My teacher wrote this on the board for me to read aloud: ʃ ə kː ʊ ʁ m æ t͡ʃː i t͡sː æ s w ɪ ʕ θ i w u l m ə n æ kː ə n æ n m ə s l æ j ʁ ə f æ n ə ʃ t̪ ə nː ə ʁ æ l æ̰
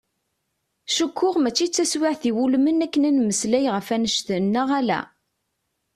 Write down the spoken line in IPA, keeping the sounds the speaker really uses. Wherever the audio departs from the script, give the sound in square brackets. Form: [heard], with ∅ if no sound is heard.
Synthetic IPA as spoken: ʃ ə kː ʊ ʁ m æ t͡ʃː i t͡sː æ s w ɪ ʕ θ i w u l m ə n æ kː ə n æ n m ə s l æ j ʁ ə f æ n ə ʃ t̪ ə nː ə ʁ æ l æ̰